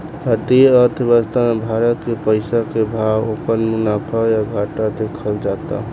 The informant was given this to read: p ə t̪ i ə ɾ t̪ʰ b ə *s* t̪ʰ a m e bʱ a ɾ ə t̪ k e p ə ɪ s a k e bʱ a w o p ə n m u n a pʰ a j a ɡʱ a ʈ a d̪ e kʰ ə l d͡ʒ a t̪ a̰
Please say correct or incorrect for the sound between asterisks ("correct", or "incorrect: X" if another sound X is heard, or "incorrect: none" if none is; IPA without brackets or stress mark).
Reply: correct